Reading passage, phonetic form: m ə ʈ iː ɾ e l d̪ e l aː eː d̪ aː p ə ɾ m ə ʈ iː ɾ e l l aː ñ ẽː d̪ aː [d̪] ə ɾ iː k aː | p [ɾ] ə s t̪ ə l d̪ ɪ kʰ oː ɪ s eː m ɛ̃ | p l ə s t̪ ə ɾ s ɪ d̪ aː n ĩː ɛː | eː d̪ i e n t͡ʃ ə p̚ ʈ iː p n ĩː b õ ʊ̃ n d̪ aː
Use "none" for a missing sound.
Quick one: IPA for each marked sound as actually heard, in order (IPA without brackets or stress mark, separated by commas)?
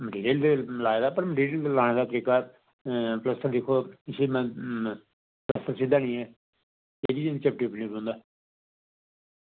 t̪, l